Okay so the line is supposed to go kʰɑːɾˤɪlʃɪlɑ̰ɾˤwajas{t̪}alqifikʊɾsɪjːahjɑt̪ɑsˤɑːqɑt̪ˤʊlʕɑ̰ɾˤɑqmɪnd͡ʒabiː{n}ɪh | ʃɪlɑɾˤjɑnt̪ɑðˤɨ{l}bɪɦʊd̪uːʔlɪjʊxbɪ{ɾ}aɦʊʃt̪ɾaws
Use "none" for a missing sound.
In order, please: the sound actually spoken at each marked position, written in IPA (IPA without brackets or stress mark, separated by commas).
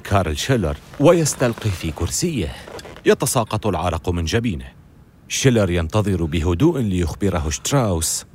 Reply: t̪, n, ɾ, ɾ